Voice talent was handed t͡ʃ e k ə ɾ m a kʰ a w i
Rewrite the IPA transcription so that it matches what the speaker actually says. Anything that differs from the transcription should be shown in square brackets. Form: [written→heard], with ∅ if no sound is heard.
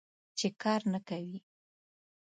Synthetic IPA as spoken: t͡ʃ e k [ə→ɑ] ɾ [m→n] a [kʰ→k] a w i